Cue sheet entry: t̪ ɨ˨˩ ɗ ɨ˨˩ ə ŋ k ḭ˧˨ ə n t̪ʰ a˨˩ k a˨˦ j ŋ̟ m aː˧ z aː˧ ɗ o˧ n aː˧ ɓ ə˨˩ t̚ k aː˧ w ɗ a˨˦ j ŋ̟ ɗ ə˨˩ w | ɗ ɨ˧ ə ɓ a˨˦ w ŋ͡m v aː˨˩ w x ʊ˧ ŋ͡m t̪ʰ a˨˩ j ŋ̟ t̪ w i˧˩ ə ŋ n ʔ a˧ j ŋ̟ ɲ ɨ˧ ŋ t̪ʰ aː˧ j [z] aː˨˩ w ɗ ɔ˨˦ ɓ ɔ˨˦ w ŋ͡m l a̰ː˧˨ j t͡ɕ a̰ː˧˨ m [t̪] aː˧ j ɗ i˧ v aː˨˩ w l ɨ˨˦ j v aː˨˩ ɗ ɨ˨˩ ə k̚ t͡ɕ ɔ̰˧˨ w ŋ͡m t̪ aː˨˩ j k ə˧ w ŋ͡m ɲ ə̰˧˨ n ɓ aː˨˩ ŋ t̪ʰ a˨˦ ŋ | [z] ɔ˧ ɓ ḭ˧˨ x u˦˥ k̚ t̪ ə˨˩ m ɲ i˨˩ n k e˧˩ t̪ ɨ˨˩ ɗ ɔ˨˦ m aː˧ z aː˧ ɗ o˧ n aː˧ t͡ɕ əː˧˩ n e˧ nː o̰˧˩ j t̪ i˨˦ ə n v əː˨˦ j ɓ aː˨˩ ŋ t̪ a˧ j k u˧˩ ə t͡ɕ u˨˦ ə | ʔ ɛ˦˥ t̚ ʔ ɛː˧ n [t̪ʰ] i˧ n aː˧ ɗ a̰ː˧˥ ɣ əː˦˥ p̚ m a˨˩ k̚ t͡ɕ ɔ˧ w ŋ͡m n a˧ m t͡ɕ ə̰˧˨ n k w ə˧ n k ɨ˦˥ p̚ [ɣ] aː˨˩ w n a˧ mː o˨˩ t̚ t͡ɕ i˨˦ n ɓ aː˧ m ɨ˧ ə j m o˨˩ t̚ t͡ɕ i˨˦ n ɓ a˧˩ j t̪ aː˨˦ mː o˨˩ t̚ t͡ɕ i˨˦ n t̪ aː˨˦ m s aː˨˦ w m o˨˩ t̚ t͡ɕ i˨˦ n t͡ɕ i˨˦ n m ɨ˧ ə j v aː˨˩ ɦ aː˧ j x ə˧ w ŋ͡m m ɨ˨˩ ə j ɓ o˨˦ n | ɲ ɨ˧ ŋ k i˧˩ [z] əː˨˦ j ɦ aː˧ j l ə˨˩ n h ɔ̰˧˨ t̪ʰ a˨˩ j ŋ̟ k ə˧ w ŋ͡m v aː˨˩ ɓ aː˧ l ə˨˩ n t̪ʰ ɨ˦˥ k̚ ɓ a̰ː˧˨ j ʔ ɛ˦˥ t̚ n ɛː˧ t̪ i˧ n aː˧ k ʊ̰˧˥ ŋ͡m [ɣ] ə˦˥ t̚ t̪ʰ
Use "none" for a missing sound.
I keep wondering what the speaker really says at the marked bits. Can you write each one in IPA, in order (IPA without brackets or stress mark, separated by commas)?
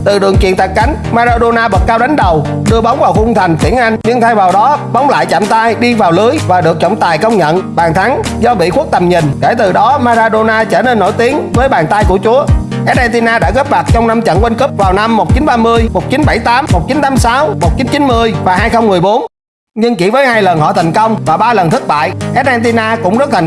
v, t̪, z, t̪, v, v, z